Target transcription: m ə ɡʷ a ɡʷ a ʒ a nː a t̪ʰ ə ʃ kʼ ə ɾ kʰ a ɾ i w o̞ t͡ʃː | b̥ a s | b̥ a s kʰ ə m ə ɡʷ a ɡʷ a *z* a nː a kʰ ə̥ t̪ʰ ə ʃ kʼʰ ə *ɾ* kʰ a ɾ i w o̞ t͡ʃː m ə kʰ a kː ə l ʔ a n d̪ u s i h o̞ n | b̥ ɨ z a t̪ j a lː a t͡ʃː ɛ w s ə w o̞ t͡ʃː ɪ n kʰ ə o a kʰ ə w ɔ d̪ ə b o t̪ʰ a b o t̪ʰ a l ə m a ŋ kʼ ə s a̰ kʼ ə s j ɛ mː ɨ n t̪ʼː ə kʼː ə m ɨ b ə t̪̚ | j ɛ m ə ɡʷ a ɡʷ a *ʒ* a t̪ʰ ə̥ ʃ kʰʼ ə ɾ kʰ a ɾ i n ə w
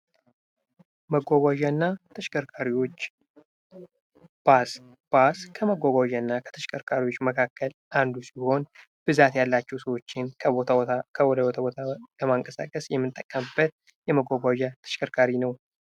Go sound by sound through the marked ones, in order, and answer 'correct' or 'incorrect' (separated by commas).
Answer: incorrect, correct, correct